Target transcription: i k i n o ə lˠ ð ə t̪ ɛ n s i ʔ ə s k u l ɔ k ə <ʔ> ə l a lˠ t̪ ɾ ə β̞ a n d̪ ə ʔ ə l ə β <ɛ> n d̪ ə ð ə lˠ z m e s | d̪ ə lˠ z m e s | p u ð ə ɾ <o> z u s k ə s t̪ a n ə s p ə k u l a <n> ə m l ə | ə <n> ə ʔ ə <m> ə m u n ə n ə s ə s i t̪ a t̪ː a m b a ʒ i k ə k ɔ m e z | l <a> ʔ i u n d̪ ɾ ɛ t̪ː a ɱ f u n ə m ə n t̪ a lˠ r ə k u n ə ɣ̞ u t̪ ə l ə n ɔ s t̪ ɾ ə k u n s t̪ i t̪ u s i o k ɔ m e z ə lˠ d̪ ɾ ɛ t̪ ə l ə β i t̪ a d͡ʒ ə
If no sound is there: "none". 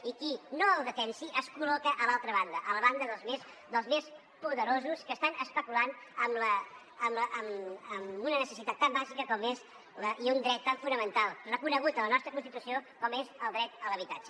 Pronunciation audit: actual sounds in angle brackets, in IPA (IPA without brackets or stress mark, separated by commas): ʔ, a, o, n, m, m, ə